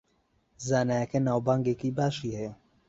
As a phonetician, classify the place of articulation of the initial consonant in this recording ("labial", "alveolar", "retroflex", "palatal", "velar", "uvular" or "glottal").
alveolar